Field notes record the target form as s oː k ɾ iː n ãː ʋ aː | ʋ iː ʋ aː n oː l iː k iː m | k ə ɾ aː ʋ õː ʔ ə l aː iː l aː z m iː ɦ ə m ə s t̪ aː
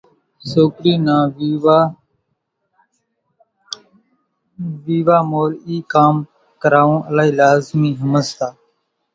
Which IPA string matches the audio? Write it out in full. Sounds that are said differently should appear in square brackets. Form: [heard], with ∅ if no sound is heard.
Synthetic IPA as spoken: s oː k ɾ iː n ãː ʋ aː | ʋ iː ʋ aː [m] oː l iː k [aː] m | k ə ɾ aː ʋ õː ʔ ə l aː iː l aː z m iː ɦ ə m ə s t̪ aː